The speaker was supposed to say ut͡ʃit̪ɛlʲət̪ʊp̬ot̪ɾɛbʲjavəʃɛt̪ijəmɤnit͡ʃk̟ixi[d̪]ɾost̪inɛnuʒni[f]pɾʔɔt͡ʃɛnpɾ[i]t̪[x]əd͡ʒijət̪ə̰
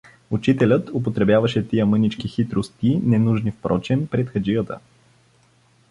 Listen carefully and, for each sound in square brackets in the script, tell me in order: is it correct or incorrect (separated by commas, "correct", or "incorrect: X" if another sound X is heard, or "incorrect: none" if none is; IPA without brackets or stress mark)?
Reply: incorrect: t̪, correct, incorrect: ɛ, correct